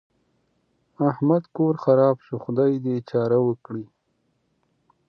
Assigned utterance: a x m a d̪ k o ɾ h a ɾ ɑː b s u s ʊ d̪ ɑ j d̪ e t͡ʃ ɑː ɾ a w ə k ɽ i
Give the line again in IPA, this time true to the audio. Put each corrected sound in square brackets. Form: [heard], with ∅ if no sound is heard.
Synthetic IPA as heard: a [h] m a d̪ k o ɾ [x] a ɾ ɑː b [ʃ] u [x] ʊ d̪ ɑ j d̪ e t͡ʃ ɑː ɾ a w ə k ɽ i